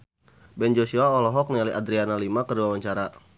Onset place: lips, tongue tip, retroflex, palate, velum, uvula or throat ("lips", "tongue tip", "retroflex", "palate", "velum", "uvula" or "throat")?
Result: lips